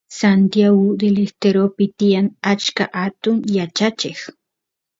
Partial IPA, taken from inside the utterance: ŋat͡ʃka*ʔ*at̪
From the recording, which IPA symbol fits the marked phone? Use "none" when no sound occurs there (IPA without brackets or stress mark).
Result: ʔ